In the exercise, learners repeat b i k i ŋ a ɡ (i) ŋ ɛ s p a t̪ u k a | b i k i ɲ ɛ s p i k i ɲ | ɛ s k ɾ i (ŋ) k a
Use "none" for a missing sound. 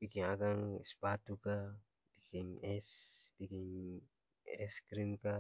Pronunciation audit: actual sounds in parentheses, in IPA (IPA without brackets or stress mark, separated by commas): a, m